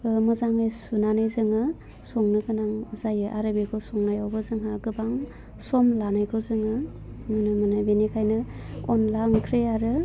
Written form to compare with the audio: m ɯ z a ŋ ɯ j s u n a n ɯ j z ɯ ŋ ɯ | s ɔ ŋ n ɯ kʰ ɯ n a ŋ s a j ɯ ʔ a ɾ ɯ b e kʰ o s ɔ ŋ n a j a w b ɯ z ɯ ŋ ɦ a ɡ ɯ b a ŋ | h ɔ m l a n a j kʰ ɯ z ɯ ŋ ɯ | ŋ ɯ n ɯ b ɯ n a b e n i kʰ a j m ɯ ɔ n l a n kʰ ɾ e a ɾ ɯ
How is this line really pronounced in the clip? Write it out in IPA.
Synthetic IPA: m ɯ z a ŋ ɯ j s u n a n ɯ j z ɯ ŋ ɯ | s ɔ ŋ n ɯ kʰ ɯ n a ŋ z a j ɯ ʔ a ɾ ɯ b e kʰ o s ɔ ŋ n a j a w b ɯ z ɯ ŋ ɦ a ɡ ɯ b a ŋ | s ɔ m l a n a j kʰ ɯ z ɯ ŋ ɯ | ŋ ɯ n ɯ m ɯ n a b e n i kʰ a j n ɯ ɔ n l a ŋ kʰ ɾ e a ɾ ɯ